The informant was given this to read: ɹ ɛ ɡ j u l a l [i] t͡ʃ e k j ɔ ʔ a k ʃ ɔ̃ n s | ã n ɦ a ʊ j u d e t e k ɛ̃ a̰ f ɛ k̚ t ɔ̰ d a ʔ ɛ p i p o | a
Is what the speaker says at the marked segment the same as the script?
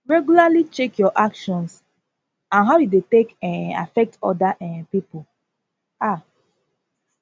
yes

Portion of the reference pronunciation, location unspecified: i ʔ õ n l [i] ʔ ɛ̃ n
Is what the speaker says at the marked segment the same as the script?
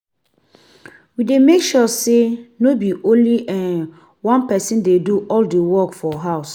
yes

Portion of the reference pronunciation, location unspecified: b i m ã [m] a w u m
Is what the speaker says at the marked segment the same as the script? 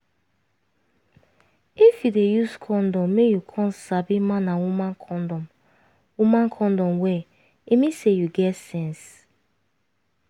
no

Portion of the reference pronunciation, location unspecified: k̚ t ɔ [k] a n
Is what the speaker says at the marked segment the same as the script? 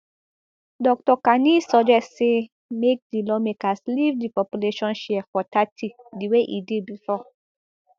yes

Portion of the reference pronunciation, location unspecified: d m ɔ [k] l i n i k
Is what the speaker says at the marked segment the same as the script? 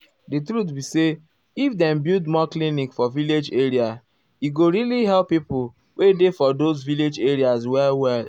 yes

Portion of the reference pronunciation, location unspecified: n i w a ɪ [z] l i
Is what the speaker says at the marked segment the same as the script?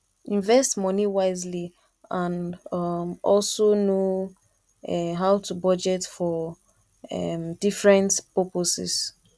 yes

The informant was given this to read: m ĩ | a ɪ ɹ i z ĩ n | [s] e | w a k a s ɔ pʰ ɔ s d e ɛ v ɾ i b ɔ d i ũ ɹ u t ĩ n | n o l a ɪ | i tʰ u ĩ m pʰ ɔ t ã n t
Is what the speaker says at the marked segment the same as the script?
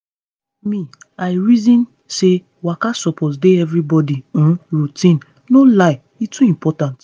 yes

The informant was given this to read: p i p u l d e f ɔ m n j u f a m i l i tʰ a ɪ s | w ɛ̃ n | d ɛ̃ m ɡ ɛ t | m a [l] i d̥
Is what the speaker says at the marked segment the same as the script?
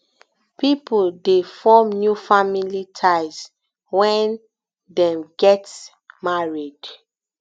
no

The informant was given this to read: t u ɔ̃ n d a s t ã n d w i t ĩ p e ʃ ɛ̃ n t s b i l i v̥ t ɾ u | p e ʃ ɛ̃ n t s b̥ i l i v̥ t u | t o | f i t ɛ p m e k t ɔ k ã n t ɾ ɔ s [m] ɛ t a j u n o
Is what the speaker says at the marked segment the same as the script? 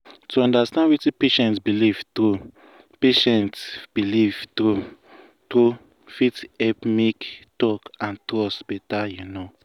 no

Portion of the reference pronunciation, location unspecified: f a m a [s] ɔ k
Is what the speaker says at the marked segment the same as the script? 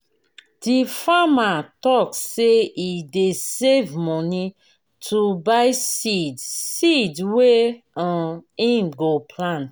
no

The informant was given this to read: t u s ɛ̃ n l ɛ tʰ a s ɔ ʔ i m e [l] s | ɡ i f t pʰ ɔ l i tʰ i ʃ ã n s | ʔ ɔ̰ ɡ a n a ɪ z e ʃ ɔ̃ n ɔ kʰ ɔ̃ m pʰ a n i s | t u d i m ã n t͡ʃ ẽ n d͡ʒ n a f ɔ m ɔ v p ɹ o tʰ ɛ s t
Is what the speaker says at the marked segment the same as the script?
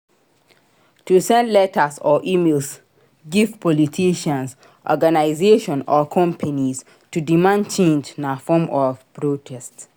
yes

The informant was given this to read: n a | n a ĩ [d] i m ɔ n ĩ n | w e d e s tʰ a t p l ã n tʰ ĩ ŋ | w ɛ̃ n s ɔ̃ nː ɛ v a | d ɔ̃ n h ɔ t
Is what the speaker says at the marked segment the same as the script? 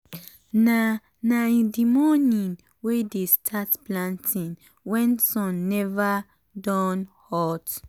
yes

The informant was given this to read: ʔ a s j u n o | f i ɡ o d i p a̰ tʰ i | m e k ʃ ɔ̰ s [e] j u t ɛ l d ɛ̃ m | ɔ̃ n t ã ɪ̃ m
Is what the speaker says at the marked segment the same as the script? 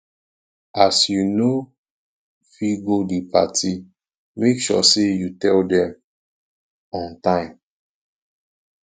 yes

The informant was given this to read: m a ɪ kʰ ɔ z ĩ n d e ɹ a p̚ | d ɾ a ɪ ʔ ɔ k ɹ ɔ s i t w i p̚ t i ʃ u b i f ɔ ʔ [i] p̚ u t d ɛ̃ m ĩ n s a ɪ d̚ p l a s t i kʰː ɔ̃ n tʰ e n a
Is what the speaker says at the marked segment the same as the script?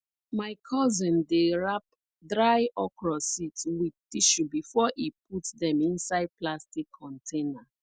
yes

